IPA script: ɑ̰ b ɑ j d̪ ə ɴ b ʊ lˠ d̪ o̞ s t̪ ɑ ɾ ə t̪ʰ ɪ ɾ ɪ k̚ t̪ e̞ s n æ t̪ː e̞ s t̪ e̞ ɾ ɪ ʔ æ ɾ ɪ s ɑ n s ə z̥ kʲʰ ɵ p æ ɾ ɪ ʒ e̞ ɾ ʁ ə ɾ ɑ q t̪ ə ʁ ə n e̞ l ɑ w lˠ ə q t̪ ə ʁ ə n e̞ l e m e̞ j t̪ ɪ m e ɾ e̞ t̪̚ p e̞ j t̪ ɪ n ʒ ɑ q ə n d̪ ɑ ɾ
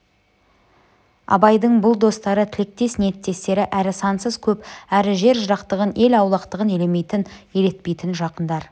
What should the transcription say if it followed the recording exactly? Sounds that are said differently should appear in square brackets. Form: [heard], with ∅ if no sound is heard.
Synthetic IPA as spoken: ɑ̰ b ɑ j d̪ ə ɴ b ʊ lˠ d̪ o̞ s t̪ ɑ ɾ ə t̪ʰ ɪ [l] ɪ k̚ t̪ e̞ s n [e] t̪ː e̞ s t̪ e̞ ɾ ɪ ʔ æ ɾ ɪ s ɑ n s ə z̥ kʲʰ ɵ p æ ɾ ɪ ʒ e̞ ɾ [ʒ] ə ɾ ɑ q t̪ ə ʁ ə n e̞ l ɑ w lˠ [ɑ] q t̪ ə ʁ ə n e̞ l e m e̞ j t̪ ɪ [n] e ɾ e̞ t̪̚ p e̞ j t̪ ɪ n ʒ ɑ q ə n d̪ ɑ ɾ